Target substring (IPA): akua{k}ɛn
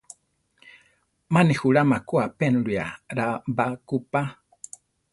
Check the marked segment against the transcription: incorrect: p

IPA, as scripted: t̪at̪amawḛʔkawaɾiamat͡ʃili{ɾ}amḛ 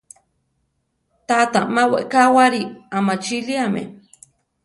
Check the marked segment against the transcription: incorrect: none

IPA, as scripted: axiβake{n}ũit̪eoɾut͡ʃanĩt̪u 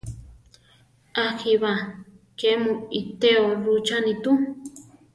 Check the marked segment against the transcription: incorrect: m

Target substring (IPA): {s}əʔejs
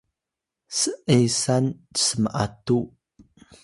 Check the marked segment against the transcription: correct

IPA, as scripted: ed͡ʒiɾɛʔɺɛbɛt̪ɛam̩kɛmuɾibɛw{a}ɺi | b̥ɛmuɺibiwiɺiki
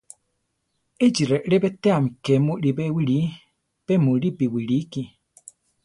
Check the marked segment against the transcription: incorrect: i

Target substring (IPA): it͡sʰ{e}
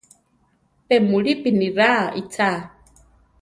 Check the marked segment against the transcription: incorrect: a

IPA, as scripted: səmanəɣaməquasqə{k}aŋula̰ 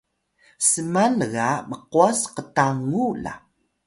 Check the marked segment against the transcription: incorrect: t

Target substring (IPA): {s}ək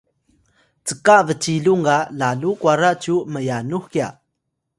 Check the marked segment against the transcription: incorrect: t͡s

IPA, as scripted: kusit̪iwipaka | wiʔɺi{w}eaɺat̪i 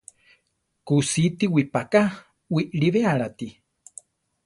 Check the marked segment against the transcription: incorrect: β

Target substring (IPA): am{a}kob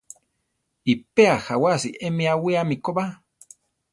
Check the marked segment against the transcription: incorrect: i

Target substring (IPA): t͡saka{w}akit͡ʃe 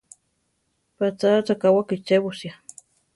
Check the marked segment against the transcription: correct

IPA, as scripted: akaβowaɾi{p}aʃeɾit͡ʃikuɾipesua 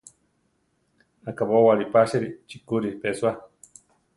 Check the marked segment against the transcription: correct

